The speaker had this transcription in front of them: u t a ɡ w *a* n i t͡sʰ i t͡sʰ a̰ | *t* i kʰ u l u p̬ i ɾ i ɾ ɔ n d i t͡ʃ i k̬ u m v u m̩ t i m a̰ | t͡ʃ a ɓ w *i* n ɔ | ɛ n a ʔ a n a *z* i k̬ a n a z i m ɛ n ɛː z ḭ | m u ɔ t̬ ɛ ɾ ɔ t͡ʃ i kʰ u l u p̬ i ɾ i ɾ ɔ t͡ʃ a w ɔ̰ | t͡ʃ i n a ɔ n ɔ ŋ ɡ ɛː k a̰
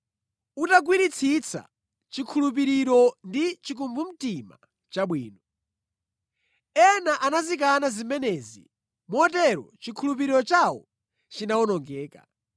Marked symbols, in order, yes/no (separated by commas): no, no, no, yes